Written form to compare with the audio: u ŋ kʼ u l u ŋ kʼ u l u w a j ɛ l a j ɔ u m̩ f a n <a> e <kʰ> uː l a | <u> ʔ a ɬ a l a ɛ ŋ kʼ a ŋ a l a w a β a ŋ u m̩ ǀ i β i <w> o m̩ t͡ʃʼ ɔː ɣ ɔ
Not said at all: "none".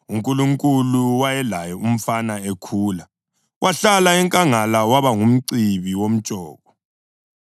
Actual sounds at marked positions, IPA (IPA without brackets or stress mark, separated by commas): a, kʰ, w, w